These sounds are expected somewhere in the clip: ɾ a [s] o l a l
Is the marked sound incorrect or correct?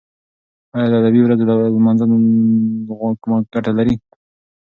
incorrect: z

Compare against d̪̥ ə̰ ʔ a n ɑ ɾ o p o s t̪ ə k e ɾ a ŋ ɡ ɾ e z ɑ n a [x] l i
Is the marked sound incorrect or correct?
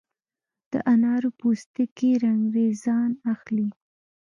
correct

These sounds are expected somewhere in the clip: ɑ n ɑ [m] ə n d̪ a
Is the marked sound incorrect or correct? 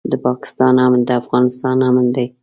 correct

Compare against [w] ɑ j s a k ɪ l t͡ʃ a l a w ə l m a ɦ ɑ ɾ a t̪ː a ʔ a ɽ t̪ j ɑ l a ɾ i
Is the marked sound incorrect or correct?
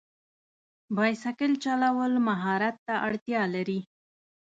incorrect: b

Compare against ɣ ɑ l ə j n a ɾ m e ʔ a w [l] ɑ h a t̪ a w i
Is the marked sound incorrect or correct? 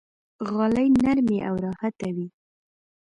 incorrect: ɾ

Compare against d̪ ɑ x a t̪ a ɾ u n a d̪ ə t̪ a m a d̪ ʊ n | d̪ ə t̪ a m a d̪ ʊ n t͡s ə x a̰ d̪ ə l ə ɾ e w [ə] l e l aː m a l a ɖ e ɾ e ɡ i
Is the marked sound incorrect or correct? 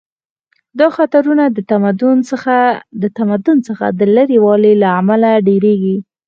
incorrect: ɑ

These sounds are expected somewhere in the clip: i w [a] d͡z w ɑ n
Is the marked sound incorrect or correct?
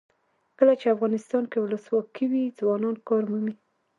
incorrect: i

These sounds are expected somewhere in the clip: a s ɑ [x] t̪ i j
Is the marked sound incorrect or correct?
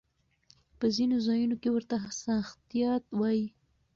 correct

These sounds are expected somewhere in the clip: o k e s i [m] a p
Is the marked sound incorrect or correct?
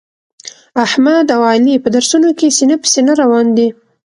incorrect: n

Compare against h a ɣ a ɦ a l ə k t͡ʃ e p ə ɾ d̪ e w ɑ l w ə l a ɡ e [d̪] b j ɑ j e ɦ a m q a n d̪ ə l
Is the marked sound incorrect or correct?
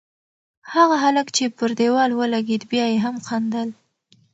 correct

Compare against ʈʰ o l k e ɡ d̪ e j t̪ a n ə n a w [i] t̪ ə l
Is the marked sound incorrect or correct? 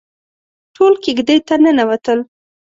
incorrect: a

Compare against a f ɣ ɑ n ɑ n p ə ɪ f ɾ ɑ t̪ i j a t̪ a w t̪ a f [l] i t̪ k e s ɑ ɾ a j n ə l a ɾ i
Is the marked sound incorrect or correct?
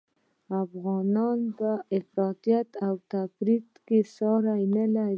incorrect: ɾ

